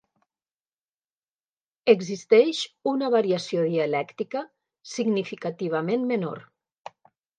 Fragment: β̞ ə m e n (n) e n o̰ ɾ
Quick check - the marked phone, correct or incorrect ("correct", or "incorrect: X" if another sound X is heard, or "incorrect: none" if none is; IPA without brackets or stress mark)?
incorrect: m